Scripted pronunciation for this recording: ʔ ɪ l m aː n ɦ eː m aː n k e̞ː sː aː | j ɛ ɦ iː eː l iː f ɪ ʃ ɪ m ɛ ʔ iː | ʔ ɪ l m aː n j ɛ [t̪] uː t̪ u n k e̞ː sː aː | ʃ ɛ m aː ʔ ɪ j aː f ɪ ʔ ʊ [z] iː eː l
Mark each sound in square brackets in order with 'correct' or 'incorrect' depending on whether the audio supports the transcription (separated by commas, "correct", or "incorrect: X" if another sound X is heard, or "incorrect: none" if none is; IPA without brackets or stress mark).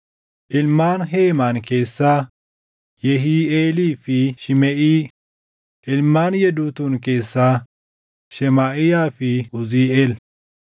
incorrect: d̪, correct